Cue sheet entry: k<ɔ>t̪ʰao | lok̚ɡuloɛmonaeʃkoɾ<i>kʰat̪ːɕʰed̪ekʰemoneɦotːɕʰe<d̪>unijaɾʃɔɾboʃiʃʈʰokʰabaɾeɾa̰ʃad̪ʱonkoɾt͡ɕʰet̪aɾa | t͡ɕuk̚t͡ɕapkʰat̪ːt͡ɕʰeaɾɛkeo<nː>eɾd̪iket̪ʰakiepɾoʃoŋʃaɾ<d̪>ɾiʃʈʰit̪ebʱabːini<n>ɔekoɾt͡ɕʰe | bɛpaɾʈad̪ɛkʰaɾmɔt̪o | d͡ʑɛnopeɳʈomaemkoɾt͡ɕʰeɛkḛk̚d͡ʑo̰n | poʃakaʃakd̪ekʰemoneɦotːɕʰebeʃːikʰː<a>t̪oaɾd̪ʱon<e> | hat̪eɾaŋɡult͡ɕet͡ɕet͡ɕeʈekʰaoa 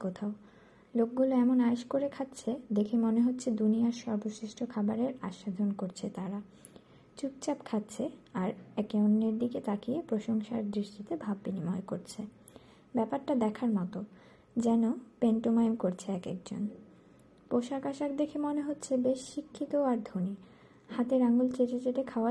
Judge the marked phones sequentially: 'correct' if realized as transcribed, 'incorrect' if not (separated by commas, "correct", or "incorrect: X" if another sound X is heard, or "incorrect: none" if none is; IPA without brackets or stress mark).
incorrect: o, incorrect: e, correct, correct, correct, incorrect: m, incorrect: i, incorrect: i